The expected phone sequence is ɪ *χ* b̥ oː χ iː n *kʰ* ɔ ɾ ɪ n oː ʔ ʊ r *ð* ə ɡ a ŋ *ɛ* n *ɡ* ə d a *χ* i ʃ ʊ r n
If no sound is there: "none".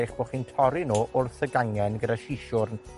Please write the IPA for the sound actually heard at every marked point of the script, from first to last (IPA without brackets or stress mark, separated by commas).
χ, tʰ, θ, ɛ, ɡ, ʃ